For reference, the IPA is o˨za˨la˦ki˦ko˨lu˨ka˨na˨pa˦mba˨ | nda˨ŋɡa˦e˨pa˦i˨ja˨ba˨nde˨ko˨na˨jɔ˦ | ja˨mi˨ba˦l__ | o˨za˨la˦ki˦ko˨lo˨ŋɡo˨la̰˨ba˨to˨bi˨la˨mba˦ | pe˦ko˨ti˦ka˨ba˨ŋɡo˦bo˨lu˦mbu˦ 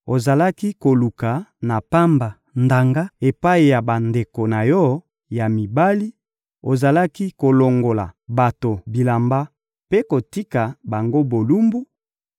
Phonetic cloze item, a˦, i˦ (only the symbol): i˦